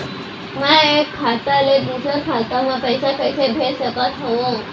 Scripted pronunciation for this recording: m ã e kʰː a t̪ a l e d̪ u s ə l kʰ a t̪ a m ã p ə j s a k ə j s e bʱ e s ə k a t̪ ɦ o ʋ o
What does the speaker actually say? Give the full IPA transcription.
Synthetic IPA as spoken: m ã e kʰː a t̪ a l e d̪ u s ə ɾ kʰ a t̪ a m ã p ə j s a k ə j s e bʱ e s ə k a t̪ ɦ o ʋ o